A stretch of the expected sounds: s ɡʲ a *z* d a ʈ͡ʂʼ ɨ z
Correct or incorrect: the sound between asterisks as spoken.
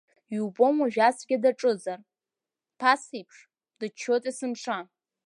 incorrect: none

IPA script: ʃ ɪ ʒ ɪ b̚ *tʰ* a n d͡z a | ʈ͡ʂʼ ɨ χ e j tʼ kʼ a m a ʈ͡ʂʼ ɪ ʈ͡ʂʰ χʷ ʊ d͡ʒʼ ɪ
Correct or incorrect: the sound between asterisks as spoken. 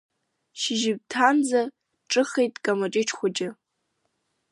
correct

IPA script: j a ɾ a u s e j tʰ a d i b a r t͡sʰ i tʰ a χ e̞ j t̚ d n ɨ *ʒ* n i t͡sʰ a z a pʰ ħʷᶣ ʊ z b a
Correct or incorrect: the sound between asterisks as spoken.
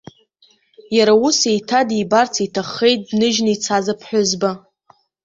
correct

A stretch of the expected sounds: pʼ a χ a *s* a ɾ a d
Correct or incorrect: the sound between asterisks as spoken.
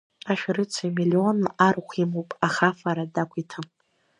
incorrect: f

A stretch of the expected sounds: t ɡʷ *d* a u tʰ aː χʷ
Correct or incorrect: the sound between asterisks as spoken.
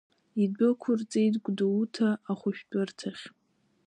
correct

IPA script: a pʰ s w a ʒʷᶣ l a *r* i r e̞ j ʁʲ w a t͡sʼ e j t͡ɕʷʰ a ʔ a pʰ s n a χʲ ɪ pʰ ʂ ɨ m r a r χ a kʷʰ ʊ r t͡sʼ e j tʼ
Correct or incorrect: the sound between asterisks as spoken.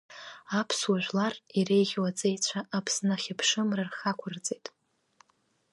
correct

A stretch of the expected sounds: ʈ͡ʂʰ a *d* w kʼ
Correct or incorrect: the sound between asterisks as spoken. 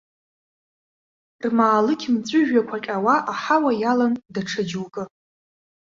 incorrect: d͡ʒ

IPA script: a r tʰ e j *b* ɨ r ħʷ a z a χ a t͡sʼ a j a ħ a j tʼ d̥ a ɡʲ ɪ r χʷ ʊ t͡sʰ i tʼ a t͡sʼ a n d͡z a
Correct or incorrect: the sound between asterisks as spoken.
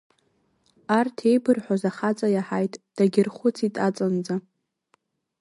correct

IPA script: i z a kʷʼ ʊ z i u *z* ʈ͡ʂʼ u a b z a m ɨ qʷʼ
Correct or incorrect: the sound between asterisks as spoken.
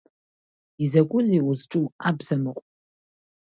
correct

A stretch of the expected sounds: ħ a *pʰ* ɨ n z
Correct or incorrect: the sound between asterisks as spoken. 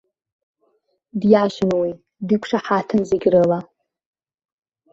incorrect: tʰ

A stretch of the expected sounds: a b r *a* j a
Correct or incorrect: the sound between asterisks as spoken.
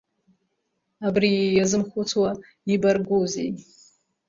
incorrect: i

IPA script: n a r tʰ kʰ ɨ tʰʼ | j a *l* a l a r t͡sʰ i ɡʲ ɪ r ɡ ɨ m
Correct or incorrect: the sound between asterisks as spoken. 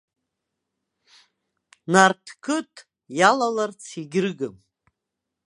correct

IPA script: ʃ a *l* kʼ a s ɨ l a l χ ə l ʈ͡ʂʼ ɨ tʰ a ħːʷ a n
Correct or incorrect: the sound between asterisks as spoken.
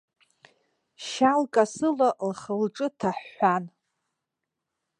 correct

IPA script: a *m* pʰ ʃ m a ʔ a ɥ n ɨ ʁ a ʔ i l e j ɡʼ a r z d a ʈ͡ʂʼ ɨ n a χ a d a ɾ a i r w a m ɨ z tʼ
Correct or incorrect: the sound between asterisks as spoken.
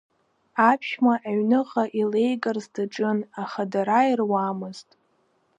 incorrect: none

